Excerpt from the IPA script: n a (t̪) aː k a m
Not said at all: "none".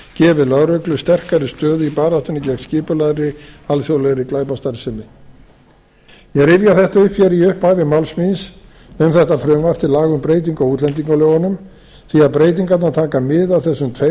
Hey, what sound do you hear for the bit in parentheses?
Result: t̪ʰ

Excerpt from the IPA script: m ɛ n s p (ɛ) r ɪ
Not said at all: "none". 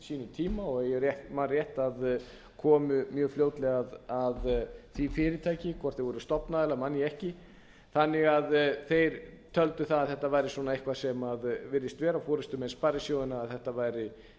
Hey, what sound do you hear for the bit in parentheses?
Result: a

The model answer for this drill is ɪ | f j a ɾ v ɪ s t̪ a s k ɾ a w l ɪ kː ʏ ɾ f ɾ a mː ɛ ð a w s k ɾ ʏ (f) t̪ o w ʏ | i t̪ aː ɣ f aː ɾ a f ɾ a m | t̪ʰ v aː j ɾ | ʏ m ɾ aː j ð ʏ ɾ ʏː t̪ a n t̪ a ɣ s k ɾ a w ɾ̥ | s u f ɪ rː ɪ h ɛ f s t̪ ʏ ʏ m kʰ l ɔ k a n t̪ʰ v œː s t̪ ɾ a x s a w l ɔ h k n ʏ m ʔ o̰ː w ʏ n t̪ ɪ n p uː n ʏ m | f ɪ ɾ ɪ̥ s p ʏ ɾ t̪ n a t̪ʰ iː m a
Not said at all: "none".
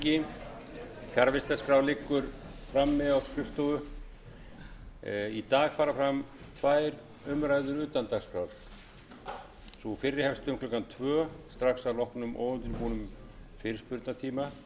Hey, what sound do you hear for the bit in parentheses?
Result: f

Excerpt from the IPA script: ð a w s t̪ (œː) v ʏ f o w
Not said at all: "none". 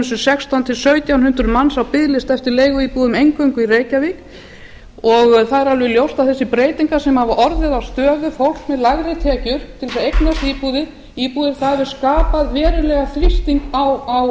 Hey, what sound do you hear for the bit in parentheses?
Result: œː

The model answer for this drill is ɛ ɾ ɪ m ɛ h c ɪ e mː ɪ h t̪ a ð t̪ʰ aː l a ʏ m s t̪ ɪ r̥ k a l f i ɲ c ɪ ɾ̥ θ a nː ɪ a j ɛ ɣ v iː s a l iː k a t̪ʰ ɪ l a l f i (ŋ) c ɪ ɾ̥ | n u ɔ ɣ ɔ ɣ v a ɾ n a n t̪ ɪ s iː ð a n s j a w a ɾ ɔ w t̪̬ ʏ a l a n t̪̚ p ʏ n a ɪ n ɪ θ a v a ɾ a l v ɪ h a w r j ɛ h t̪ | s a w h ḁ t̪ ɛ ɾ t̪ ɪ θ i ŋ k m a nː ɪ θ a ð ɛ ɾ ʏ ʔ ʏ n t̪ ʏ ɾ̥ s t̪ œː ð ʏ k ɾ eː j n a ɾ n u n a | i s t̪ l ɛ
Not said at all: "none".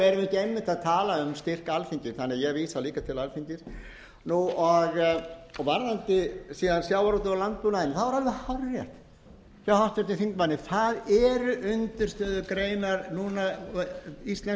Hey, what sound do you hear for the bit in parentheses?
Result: ɲ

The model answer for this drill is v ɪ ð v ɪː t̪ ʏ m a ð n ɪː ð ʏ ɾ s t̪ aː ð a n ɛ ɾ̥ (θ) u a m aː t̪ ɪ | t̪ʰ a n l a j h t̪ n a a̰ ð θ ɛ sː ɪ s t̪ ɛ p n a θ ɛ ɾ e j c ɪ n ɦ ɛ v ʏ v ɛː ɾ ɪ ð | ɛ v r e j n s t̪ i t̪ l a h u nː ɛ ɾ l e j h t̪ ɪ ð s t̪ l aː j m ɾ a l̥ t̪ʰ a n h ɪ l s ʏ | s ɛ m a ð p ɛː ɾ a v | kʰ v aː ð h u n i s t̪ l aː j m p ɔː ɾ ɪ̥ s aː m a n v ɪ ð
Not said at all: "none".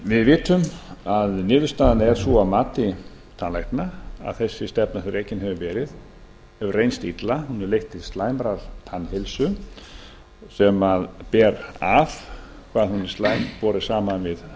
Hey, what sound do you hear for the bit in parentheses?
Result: s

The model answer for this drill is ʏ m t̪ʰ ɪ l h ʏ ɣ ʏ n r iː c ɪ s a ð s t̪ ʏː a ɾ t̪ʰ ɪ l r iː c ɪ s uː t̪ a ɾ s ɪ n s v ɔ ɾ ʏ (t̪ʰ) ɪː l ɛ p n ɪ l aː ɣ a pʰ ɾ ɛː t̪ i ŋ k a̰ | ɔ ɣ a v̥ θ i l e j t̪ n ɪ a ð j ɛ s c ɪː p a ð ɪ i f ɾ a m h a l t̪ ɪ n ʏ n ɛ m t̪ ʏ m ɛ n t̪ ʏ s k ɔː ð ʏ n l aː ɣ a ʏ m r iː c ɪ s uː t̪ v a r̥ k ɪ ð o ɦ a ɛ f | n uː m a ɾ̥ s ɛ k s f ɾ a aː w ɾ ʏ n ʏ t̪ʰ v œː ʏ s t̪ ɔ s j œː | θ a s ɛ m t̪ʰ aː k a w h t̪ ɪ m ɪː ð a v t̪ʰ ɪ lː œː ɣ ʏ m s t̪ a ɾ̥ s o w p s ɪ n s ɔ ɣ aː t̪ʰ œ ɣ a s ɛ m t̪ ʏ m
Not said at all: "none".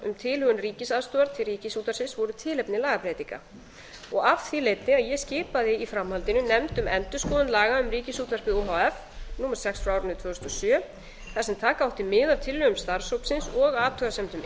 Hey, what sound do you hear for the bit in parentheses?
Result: t̪ʰ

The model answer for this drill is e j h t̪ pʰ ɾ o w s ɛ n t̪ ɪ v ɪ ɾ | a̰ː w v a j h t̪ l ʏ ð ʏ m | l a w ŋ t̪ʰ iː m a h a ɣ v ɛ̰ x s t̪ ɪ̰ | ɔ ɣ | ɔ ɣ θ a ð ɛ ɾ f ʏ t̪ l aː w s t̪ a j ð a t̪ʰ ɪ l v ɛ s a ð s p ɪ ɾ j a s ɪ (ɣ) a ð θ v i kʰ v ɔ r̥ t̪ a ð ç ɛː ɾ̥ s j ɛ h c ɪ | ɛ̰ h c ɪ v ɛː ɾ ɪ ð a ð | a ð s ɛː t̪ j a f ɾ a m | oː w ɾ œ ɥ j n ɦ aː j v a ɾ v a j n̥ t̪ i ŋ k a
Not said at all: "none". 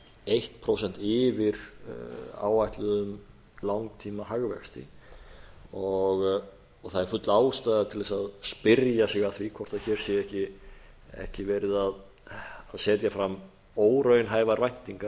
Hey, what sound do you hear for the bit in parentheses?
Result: ɣ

